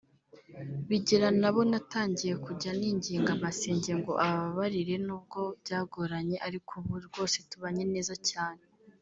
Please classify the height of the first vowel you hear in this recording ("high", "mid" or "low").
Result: high